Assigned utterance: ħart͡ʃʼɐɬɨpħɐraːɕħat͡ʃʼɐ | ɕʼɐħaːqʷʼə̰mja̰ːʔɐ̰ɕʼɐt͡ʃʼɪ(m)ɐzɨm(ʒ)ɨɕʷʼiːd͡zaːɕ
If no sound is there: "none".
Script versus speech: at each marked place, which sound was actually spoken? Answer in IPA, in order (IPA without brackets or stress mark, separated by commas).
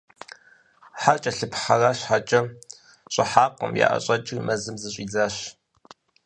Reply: m, z